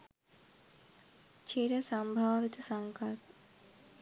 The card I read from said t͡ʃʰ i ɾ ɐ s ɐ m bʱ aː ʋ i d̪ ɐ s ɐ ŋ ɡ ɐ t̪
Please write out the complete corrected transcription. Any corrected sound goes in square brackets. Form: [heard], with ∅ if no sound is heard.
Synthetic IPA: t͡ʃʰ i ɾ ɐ s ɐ m bʱ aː ʋ i [t̪] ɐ s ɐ ŋ [k] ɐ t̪